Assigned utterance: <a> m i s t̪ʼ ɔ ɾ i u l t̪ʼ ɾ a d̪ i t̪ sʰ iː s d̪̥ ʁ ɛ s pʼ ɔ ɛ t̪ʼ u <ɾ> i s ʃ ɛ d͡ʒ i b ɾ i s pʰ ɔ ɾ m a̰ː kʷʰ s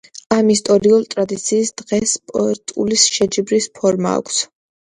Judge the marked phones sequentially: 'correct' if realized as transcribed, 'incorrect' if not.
correct, incorrect: l

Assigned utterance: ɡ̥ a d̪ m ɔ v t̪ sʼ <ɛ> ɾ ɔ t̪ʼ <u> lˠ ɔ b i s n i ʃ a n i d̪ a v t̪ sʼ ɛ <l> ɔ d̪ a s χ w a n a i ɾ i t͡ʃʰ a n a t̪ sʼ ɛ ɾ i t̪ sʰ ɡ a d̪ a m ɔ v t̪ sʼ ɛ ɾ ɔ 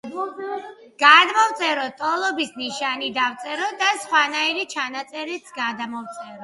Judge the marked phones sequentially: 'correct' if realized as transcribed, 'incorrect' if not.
correct, incorrect: ɔ, incorrect: ɾ

